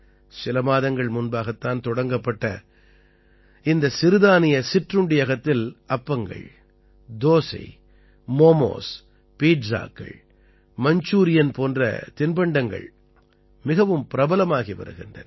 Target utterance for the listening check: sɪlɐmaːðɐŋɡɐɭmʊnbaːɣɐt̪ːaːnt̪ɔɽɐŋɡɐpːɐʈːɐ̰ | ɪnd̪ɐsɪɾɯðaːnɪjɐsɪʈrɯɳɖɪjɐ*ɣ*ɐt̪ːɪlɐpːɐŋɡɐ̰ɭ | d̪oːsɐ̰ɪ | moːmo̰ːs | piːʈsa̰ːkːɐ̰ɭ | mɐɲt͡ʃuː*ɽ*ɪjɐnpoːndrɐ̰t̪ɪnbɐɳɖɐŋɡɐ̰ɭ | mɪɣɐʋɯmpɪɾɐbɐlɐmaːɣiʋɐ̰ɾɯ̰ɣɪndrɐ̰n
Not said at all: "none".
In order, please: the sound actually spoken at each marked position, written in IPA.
ɣ, ɾ

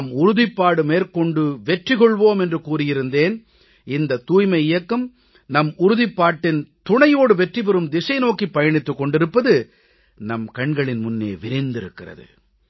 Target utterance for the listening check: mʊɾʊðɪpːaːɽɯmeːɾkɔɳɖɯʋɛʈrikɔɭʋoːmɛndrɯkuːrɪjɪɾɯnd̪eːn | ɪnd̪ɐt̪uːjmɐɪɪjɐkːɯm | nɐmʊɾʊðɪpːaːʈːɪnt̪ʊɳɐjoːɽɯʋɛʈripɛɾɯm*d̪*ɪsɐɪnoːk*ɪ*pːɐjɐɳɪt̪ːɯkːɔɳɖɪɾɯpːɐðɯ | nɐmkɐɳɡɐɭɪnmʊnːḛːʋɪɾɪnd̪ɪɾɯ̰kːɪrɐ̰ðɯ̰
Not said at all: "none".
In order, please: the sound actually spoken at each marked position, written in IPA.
d̪, i

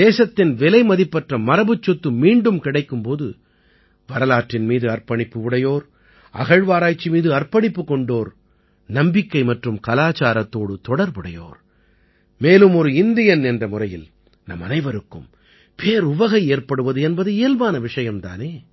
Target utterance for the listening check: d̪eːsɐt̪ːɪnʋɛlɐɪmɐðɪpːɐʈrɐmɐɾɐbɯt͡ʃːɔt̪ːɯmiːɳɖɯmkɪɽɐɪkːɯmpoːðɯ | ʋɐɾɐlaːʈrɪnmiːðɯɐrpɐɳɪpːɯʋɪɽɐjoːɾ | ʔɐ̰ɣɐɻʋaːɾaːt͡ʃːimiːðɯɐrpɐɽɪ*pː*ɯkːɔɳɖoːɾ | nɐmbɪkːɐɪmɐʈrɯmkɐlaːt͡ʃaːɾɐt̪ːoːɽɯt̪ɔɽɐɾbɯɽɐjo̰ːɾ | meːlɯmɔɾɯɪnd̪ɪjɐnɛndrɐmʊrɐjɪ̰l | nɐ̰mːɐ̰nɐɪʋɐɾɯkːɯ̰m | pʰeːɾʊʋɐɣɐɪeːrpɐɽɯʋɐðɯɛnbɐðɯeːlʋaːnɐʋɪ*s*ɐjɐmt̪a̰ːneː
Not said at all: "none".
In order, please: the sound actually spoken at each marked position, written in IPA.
pː, ʂ

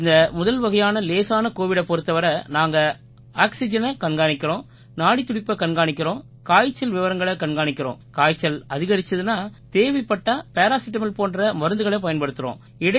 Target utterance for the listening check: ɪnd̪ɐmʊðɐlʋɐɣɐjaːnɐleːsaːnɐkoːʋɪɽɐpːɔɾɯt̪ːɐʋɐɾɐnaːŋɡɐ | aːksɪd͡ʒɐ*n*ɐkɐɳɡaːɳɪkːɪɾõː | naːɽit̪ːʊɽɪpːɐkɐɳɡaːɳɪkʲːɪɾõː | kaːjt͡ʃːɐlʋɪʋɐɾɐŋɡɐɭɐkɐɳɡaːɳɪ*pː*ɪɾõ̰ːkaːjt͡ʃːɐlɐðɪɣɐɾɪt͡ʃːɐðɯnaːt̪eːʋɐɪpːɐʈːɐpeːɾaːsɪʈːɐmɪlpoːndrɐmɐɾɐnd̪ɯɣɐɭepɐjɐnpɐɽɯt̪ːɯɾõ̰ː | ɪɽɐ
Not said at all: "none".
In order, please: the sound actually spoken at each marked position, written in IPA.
n, kː

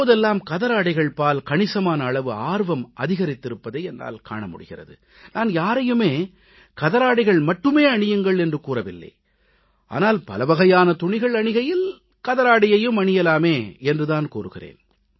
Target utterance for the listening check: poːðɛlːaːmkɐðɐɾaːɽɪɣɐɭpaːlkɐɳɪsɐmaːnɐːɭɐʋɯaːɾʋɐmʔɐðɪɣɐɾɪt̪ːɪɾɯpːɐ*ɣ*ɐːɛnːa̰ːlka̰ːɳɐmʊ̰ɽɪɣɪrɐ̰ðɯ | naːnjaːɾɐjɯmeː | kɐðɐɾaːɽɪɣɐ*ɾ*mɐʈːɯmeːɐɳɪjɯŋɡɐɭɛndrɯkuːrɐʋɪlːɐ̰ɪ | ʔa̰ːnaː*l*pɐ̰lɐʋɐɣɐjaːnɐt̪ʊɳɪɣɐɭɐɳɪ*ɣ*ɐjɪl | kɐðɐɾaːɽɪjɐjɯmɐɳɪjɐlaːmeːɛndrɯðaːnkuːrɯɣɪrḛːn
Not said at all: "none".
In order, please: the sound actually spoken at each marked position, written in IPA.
ð, ɭ, l, ɣ

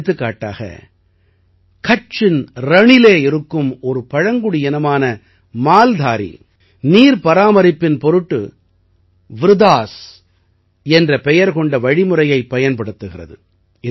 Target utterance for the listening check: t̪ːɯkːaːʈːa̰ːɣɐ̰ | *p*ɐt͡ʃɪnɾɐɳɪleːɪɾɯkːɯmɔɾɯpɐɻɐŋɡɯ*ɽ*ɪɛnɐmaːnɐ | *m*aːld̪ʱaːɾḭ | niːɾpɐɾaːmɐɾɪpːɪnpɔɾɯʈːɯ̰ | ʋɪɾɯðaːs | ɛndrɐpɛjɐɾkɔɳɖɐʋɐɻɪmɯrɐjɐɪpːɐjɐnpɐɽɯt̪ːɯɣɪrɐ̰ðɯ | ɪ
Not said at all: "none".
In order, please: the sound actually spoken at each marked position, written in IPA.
k, ɽ, m

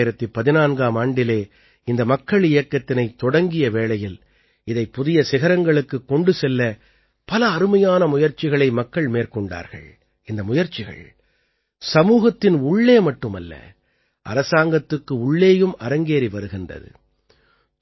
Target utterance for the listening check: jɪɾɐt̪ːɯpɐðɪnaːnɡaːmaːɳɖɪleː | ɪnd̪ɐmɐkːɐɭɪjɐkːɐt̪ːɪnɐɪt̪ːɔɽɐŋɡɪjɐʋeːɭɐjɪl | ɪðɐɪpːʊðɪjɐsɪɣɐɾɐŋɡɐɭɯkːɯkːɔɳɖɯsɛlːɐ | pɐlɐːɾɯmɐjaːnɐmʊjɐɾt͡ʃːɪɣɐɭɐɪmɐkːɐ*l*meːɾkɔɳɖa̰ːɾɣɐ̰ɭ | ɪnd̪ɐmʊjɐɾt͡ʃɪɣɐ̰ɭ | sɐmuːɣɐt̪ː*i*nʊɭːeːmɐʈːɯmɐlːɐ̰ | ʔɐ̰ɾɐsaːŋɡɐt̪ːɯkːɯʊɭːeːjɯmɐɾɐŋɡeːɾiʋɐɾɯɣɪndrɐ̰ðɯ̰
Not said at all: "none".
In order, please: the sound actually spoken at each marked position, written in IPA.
ɭ, ɪ

